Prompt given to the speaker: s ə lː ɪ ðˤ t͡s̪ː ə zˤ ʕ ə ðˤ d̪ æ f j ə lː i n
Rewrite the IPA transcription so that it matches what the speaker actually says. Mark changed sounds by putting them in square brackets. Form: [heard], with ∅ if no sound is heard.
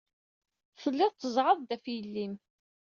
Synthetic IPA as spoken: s ə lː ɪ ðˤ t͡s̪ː ə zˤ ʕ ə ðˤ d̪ æ f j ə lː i [m]